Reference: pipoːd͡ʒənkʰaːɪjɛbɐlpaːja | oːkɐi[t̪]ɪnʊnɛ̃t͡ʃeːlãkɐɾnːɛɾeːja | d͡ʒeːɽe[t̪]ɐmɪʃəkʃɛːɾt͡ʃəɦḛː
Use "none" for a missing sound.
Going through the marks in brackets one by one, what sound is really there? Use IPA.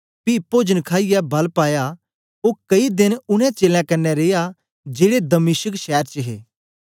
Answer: d̪, d̪

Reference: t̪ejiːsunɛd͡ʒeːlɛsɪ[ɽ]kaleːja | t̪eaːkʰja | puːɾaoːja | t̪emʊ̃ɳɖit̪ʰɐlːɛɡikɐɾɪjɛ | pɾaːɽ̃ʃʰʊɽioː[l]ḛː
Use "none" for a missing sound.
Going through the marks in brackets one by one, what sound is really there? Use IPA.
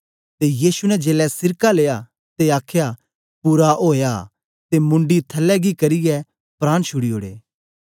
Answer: ɾ, ɽ

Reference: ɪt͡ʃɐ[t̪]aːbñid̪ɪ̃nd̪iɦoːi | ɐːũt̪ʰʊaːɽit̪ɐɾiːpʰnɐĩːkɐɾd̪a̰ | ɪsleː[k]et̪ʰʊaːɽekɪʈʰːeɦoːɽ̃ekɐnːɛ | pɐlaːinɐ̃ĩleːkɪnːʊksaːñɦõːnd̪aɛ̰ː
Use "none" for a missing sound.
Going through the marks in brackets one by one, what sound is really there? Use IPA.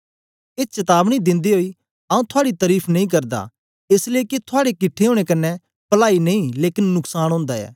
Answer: t̪, k

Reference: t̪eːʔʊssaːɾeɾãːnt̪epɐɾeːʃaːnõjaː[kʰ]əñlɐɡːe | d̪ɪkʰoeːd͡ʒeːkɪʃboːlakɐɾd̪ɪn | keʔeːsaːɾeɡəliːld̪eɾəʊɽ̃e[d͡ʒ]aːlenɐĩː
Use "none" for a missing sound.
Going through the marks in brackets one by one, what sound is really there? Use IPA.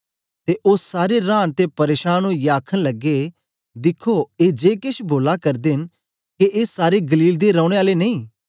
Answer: kʰ, none

